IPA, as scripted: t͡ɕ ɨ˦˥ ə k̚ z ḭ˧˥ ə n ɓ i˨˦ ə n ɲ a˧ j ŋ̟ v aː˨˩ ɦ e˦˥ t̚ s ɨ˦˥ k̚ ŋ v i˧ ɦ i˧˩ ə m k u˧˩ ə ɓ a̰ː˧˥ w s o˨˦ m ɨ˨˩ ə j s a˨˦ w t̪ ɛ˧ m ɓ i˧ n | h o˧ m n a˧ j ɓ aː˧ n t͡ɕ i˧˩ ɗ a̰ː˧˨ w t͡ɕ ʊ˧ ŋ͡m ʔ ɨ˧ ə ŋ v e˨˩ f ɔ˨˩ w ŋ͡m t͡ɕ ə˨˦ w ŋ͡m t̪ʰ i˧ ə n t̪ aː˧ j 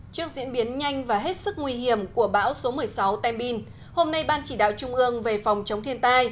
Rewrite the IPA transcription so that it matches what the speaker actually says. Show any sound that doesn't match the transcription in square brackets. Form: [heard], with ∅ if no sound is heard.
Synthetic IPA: t͡ɕ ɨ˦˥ ə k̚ z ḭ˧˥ ə n ɓ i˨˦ ə n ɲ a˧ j ŋ̟ v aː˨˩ ɦ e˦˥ t̚ s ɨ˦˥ k̚ ŋ [w] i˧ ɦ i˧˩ ə m k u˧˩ ə ɓ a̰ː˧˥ w s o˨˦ m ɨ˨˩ ə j s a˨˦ w t̪ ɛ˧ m ɓ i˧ n | h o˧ m n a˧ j ɓ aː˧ n t͡ɕ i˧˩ ɗ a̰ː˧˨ w t͡ɕ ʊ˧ ŋ͡m ʔ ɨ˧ ə ŋ v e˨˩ f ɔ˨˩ w ŋ͡m t͡ɕ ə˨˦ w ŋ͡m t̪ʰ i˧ ə n t̪ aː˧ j